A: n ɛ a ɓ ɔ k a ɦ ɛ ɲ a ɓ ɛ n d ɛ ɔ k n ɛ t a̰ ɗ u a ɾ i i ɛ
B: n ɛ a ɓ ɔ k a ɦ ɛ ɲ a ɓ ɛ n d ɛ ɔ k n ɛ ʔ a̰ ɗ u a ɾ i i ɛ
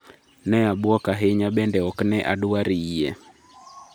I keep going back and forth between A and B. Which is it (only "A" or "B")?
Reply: B